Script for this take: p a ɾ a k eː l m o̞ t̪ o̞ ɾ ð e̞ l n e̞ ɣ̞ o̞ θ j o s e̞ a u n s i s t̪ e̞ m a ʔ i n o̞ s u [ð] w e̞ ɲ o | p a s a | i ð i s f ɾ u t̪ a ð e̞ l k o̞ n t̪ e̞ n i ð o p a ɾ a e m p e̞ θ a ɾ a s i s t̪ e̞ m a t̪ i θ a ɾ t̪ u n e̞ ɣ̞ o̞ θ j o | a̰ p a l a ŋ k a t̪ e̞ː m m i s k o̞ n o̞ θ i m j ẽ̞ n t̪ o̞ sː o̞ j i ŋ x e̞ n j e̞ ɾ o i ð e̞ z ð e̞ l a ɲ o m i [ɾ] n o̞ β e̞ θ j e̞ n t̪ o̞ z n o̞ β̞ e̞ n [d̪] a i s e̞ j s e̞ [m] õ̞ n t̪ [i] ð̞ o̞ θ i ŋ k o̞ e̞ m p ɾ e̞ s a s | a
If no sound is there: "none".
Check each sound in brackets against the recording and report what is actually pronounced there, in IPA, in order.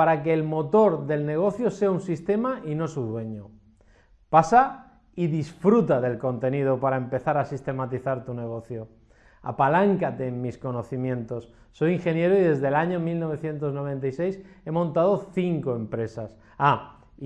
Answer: ð, l, t̪, m, a

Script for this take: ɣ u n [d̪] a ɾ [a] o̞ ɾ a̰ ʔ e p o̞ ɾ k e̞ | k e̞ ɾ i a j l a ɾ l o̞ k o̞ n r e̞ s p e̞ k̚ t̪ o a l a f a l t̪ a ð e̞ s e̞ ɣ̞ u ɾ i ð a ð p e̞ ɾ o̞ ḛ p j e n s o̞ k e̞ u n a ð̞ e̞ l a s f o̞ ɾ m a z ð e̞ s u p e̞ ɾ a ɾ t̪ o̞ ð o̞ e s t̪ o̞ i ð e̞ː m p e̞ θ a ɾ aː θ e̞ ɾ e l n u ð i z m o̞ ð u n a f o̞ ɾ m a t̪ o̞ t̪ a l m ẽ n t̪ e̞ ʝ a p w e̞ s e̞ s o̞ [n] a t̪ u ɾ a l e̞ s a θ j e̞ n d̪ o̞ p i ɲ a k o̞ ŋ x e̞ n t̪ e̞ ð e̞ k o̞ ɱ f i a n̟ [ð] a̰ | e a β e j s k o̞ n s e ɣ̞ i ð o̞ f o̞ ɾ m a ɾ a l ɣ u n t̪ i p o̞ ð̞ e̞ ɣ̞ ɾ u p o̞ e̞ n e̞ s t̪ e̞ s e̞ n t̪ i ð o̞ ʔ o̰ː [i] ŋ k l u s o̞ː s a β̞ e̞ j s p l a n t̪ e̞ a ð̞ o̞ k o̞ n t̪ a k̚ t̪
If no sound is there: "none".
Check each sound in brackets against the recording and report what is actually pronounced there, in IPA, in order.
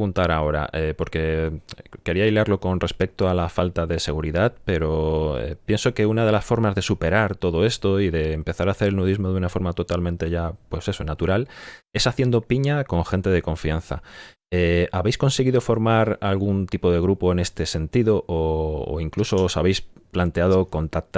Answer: t̪, a, n, θ, i

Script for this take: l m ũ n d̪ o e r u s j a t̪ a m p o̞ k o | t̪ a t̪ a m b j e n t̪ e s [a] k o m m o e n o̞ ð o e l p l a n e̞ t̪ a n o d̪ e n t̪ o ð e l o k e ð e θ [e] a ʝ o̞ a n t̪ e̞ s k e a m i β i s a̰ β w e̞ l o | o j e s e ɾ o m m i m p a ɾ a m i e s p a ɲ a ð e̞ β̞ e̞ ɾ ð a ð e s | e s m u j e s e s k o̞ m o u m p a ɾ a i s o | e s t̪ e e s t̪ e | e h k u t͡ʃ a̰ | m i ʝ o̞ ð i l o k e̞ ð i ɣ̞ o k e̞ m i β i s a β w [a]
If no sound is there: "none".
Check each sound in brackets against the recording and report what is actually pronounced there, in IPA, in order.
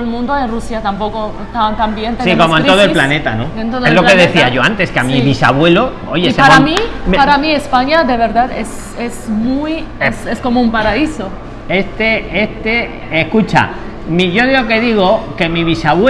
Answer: i, i, e

